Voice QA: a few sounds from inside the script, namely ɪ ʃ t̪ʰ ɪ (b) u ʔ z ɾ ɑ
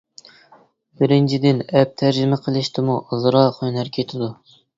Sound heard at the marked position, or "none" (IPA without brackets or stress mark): m